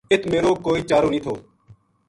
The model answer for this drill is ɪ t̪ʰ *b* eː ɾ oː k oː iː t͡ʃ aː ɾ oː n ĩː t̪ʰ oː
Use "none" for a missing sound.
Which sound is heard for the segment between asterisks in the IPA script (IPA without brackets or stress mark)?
m